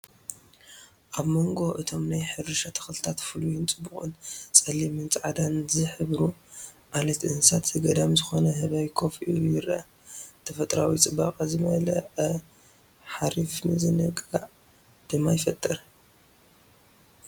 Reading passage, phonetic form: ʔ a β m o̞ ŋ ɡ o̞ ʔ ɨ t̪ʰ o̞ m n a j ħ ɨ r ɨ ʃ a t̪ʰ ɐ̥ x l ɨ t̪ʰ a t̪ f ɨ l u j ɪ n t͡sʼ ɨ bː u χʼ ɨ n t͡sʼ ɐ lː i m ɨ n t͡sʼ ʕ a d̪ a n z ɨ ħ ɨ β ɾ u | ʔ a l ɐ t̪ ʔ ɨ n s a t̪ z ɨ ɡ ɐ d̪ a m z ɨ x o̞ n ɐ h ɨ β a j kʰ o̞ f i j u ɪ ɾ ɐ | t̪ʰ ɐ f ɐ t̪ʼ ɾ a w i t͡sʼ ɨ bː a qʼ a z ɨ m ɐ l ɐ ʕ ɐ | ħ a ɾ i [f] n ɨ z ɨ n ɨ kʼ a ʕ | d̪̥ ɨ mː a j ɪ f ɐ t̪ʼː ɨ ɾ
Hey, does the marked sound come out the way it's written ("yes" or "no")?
yes